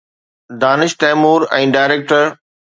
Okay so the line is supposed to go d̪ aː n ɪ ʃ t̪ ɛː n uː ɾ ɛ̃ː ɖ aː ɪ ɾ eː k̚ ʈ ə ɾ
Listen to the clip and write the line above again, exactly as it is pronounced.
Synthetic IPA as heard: d̪ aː n ɪ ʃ t̪ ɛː m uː ɾ ɛ̃ː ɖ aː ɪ ɾ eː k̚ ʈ ə ɾ